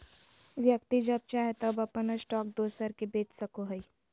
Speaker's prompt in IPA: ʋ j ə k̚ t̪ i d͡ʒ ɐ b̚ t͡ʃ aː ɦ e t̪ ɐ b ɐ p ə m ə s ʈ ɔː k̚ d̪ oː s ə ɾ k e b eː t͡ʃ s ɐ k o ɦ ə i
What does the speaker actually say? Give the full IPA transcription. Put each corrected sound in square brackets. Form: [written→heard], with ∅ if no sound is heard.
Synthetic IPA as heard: ʋ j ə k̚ t̪ i d͡ʒ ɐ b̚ t͡ʃ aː ɦ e t̪ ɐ b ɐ p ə [m→n] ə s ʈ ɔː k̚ d̪ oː s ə ɾ k e b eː t͡ʃ s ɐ k o ɦ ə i